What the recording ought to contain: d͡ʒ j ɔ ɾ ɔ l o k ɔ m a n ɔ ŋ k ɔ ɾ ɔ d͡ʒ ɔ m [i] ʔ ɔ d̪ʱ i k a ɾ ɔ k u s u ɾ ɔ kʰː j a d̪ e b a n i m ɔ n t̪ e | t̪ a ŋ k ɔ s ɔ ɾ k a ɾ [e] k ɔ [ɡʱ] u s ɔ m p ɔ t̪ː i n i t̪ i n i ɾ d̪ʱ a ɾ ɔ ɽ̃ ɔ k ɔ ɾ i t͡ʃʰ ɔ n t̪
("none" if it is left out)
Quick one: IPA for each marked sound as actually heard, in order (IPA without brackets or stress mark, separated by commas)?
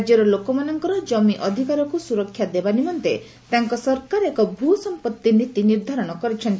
i, e, bʱ